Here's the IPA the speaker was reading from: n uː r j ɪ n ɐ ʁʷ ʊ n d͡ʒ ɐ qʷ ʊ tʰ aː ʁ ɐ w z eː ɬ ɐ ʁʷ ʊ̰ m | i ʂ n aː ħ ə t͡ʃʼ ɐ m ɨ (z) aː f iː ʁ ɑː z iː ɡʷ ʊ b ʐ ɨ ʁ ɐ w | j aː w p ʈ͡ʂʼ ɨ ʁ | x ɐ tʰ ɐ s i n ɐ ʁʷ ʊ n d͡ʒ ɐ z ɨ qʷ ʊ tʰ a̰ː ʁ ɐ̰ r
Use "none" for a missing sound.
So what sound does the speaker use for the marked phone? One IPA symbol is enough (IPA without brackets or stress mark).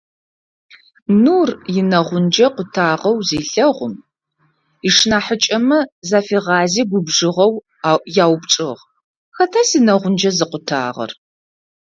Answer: z